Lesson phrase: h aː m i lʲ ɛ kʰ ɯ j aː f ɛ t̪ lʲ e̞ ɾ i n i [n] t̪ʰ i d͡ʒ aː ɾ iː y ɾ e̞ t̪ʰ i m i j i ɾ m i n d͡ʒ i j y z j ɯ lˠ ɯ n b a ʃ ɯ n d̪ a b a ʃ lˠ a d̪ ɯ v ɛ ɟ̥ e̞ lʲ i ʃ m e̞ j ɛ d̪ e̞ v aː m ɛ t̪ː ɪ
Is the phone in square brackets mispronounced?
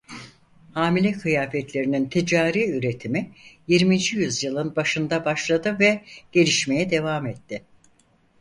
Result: no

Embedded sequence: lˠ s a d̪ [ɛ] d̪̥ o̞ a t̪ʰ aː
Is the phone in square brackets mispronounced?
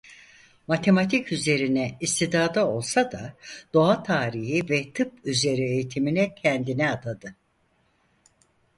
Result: yes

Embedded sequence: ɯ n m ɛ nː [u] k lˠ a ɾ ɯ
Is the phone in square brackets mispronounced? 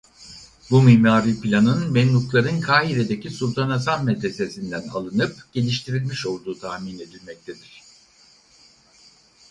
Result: no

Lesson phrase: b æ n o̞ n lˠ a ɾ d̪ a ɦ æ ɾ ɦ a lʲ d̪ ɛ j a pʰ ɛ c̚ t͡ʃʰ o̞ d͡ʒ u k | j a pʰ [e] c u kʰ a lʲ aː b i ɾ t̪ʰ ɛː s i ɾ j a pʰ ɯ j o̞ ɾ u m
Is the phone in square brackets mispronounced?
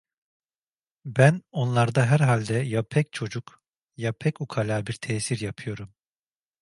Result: yes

